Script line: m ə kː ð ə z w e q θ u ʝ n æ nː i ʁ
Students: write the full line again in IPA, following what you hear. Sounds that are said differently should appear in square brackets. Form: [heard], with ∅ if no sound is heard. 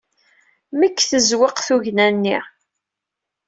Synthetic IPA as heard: m ə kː [θ] ə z w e q θ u ʝ n æ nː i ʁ